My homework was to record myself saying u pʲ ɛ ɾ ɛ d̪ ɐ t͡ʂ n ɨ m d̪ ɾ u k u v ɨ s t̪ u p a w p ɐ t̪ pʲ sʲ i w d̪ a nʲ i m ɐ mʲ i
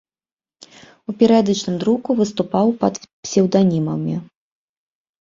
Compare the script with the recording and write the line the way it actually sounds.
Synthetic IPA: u pʲ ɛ ɾ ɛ d̪ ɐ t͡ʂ n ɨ m d̪ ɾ u k u v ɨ s t̪ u p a w p ɐ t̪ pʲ sʲ ɛ w d̪ a nʲ i m ɐ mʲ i